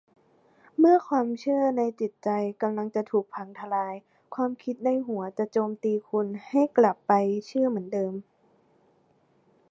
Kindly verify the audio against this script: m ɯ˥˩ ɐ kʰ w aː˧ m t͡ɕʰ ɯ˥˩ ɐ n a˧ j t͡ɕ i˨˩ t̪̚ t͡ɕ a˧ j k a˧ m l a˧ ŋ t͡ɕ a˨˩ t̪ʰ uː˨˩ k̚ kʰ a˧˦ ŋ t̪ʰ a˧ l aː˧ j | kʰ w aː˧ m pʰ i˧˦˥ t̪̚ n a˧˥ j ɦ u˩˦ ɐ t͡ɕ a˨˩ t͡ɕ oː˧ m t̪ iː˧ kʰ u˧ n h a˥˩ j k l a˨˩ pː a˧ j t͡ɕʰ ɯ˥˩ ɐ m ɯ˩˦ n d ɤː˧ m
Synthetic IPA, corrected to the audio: m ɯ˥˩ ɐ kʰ w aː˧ m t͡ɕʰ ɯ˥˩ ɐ n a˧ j t͡ɕ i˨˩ t̪̚ t͡ɕ a˧ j k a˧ m l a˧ ŋ t͡ɕ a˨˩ t̪ʰ uː˨˩ k̚ pʰ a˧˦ ŋ t̪ʰ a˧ l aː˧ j | kʰ w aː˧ m kʰ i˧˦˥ t̪̚ n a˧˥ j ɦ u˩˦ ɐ t͡ɕ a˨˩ t͡ɕ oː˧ m t̪ iː˧ kʰ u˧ n h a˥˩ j k l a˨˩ pː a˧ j t͡ɕʰ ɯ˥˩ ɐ m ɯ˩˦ n d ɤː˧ m